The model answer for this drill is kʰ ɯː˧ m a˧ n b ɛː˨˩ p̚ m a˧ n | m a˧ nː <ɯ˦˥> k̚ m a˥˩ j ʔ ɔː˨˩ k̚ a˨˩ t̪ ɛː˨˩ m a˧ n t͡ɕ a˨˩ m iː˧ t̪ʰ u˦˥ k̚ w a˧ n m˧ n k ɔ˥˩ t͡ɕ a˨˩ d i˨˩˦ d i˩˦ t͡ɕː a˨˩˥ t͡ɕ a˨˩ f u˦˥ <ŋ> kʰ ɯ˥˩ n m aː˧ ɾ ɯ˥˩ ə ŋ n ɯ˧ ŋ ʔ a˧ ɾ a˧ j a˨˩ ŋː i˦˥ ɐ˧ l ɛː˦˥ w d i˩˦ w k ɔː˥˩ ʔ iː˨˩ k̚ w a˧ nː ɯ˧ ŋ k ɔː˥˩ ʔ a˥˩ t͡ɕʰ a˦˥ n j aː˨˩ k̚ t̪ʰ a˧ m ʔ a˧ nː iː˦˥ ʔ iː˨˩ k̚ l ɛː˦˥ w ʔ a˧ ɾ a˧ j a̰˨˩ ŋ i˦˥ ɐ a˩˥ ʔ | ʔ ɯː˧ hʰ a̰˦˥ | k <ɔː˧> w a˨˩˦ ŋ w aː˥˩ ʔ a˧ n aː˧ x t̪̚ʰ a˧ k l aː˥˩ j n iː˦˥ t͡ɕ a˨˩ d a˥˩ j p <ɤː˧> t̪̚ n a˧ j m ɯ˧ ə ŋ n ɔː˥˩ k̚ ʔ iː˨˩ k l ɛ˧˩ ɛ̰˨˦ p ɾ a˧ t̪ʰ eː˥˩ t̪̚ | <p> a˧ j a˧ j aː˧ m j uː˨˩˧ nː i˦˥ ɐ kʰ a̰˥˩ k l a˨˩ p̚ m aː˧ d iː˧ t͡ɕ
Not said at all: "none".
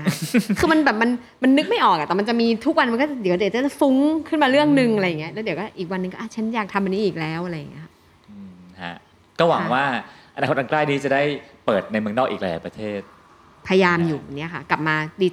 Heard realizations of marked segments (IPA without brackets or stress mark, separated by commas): ɯ˦˥, ŋ, ɔː˥˩, ɤː˨˩, pʰ